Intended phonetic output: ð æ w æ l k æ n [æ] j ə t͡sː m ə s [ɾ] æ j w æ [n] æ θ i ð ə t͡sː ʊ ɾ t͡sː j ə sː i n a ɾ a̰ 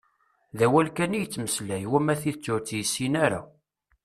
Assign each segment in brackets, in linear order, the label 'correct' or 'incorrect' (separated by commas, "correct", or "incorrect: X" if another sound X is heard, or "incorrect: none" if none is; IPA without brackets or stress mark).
incorrect: i, incorrect: l, incorrect: m